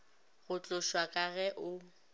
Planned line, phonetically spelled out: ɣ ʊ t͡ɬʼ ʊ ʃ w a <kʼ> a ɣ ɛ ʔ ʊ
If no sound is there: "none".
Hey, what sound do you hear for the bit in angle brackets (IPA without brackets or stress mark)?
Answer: kʼ